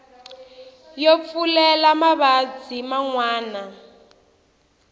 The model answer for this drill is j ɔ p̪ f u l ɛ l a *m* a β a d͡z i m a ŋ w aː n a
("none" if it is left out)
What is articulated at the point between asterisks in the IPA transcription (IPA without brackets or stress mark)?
m